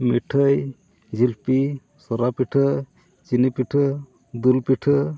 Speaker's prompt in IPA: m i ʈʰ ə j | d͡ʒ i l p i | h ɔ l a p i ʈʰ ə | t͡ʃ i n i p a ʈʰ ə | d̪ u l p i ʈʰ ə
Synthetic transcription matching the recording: m i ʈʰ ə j | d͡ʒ i l p i | s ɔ ɾ a p i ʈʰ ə | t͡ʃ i n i p i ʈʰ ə | d̪ u l p i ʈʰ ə